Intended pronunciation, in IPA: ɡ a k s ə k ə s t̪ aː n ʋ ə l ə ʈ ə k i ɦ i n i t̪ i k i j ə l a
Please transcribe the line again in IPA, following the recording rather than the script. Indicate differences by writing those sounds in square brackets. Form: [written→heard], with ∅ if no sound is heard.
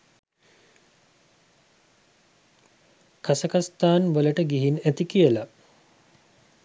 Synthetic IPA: [ɡ→k] a [k→∅] s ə k [ə→a] s t̪ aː n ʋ ə l ə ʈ ə [k→ɡ] i ɦ i n [i→æ] t̪ i k i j ə l a